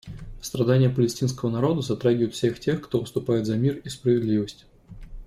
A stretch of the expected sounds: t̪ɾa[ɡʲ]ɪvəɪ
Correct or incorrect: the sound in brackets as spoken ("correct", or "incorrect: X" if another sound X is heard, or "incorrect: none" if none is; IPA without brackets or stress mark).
correct